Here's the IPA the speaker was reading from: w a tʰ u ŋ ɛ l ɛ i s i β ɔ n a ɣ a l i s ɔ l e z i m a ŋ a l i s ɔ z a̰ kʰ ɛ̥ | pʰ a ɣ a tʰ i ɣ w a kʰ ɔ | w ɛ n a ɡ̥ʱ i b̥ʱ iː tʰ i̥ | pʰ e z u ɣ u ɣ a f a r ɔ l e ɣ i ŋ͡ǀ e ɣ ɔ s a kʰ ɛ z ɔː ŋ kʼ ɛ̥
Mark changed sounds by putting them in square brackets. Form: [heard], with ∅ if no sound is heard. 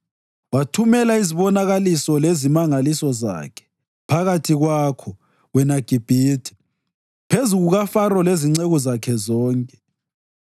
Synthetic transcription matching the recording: w a tʰ u [m] ɛ l [a] i [z] i β ɔ n a ɣ a l i s ɔ l e z i m a ŋ a l i s ɔ z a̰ kʰ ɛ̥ | pʰ a ɣ a tʰ i ɣ w a kʰ ɔ | w ɛ n a ɡ̥ʱ i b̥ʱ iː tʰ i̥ | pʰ e z u ɣ u ɣ a f a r ɔ l e [z] i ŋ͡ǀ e ɣ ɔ [z] a kʰ ɛ z ɔː ŋ kʼ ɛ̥